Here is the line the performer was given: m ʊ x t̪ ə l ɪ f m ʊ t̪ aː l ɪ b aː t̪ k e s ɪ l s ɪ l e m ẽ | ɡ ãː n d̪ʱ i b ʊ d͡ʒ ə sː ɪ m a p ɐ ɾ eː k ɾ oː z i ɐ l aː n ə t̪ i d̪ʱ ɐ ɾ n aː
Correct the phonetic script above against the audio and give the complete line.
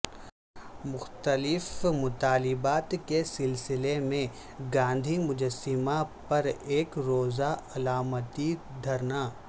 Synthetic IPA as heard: m ʊ x t̪ ə l ɪ f m ʊ t̪ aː l ɪ b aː t̪ k e s ɪ l s ɪ l e m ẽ | ɡ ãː n d̪ʱ i m ʊ d͡ʒ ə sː ɪ m a p ɐ ɾ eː k ɾ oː z a ɐ l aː m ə t̪ i d̪ʱ ɐ ɾ n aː